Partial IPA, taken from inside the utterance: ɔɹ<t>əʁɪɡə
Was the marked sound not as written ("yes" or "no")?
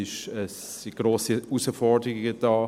yes